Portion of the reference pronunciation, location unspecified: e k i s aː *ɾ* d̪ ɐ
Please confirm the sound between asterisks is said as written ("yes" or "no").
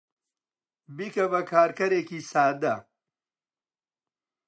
no